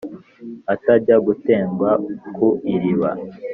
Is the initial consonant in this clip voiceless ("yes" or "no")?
yes